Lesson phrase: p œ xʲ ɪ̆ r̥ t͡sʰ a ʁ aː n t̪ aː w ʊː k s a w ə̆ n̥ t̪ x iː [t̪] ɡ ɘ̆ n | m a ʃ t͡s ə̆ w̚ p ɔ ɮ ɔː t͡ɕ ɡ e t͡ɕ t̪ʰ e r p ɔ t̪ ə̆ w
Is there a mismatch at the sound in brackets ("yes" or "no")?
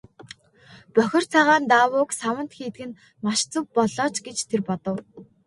no